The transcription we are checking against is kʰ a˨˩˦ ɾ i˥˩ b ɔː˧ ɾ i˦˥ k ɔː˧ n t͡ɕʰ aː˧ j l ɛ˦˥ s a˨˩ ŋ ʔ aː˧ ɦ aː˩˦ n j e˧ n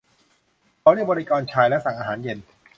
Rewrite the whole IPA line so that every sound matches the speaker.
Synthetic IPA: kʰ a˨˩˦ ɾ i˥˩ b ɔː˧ ɾ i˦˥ k ɔː˧ n t͡ɕʰ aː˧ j l ɛ˦˥ s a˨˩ ŋ ʔ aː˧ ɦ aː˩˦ n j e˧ n